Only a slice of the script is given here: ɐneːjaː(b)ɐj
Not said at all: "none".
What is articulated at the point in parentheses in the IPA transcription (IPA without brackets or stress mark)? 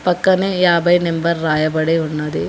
b